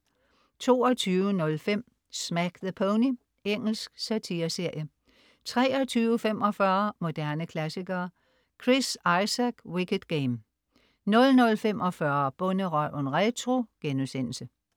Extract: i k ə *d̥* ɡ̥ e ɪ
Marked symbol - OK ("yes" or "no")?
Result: yes